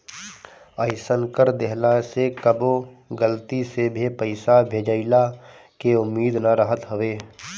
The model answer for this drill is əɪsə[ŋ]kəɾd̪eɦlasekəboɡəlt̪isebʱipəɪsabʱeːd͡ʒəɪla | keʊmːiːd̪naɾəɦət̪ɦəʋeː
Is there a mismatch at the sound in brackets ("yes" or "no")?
yes